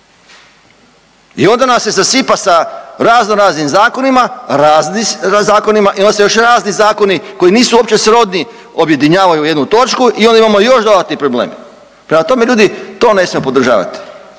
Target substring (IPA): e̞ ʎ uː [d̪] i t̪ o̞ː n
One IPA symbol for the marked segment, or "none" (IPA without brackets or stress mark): d̪